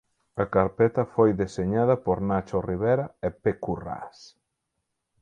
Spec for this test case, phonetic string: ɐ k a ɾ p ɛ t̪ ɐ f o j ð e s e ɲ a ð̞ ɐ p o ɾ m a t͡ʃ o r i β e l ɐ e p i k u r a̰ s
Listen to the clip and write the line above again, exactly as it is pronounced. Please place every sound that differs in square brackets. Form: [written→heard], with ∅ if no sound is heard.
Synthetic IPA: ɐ k a ɾ p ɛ t̪ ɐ f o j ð e s e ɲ a ð̞ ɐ p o ɾ [m→n] a t͡ʃ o r i β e [l→ɾ] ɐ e p [i→e] k u r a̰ s